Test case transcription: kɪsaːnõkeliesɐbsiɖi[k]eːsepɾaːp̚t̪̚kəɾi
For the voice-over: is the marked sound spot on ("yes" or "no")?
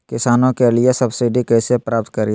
yes